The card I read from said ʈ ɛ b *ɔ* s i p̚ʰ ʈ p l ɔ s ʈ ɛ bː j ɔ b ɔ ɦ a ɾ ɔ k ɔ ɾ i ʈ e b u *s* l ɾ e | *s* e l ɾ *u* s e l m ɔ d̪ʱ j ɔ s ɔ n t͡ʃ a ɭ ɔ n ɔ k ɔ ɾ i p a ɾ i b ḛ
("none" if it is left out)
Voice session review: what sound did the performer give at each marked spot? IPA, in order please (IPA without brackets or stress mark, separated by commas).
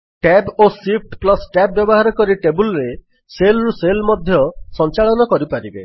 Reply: o, none, s, u